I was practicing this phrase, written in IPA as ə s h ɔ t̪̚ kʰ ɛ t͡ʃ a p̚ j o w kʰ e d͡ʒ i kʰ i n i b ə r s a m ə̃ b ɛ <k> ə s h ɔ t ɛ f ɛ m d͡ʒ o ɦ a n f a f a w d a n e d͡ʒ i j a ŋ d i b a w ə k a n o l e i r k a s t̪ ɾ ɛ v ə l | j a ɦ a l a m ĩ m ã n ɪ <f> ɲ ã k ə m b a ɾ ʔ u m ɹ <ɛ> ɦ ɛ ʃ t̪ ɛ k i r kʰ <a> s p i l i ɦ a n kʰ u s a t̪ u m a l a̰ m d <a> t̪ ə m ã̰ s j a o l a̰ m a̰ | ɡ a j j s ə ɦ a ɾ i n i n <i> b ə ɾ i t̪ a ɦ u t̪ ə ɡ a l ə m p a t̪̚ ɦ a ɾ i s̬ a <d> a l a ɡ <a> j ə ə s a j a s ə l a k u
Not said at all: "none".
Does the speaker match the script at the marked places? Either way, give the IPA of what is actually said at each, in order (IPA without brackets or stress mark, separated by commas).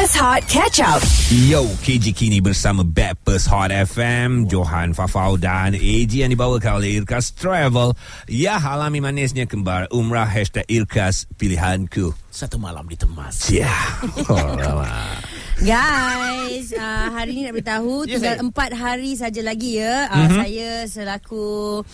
p, s, a, a, i, a, d͡ʒ, i